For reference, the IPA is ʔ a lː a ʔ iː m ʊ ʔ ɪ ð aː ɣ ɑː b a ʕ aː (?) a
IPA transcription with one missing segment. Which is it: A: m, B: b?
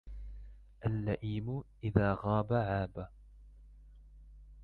B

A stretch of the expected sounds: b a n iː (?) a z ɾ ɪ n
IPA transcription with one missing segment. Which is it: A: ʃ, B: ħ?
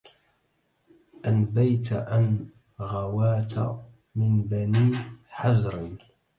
B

